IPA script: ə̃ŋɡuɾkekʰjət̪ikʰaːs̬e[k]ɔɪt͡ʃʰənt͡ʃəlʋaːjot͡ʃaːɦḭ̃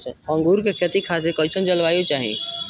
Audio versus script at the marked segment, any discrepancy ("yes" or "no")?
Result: no